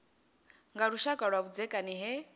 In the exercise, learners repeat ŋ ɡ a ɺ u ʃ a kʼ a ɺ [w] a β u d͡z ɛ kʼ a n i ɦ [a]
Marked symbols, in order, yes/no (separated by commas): yes, no